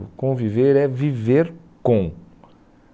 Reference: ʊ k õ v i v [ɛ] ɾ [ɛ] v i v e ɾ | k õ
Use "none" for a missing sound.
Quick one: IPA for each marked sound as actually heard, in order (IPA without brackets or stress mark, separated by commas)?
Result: e, ɛ